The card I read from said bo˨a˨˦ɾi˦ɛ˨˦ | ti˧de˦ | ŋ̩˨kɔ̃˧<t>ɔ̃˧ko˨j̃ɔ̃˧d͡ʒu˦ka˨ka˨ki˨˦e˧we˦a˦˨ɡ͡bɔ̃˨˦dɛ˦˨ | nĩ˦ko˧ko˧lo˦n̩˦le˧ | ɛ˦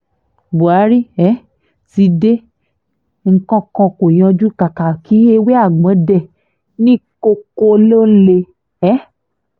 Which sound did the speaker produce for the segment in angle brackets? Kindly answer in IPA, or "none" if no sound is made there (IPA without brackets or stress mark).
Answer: k